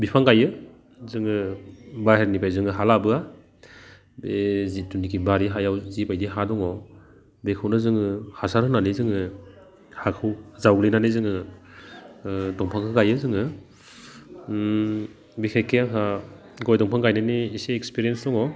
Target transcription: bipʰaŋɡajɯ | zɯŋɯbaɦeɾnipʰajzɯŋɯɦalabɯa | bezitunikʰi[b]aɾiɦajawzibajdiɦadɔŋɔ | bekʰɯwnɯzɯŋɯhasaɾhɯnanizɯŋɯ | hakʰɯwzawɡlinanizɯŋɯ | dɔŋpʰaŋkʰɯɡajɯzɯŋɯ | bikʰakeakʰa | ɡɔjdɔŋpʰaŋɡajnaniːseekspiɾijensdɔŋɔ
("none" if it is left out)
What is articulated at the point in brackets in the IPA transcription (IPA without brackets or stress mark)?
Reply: b